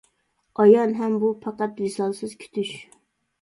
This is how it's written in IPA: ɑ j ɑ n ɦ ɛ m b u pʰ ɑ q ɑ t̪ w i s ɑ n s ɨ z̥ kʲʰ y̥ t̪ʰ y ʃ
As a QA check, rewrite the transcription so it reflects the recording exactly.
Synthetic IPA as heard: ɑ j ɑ n ɦ ɛ m b u pʰ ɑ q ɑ t̪ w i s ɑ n s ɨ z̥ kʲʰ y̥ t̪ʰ y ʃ